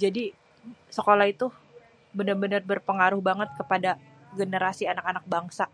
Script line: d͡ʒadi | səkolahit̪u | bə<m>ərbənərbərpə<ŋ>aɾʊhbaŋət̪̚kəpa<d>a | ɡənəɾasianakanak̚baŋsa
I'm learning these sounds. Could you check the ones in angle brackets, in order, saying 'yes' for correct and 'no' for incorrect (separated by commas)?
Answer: no, yes, yes